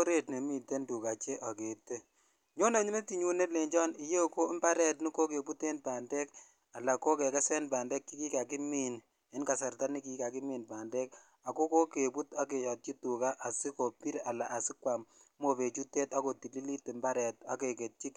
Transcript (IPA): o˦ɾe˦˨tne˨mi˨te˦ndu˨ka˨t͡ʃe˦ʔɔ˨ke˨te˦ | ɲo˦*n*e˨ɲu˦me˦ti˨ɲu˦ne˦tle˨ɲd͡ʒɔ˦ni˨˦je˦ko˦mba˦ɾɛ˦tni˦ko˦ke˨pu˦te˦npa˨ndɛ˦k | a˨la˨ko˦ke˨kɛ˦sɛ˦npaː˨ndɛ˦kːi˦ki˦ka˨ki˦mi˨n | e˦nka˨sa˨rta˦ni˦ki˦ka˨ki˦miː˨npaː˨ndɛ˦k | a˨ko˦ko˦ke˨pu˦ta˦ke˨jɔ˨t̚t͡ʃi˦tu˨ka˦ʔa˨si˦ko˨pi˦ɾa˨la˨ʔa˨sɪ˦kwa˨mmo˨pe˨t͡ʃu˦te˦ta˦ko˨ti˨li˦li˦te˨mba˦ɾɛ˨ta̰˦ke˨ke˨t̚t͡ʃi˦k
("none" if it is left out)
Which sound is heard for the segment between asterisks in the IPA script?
n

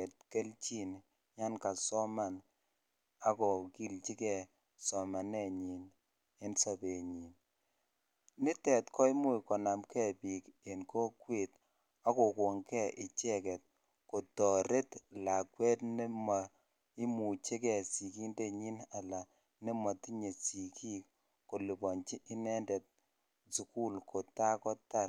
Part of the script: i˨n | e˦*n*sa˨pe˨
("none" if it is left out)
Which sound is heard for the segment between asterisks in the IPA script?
n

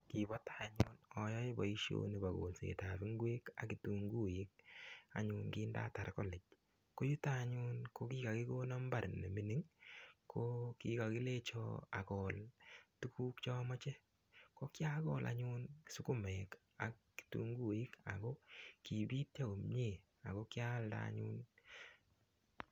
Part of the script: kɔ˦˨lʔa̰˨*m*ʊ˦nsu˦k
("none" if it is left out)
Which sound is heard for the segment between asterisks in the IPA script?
ɲ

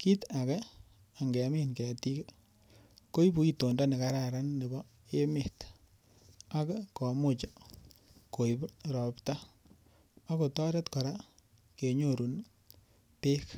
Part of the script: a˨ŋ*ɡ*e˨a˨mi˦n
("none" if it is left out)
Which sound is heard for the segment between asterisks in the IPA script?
ɡ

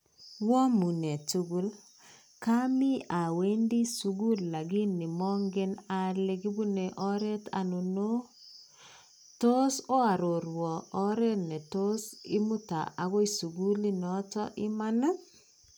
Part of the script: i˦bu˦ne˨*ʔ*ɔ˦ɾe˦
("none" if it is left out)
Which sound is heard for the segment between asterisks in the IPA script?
ʔ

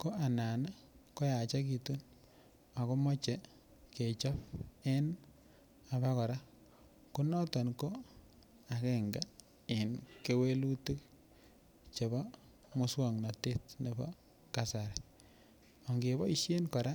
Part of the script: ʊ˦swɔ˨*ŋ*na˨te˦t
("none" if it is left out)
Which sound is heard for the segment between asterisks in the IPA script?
ŋ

